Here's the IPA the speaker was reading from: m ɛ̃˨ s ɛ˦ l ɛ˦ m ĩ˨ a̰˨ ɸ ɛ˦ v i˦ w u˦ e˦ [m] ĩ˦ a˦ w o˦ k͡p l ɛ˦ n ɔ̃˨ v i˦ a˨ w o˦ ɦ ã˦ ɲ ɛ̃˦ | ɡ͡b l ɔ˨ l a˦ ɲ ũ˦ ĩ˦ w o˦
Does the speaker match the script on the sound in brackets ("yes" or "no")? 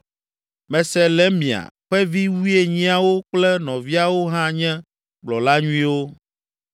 no